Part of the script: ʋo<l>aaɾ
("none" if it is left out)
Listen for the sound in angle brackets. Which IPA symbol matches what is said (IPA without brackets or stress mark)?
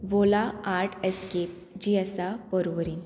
l